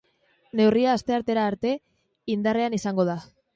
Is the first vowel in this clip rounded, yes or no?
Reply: no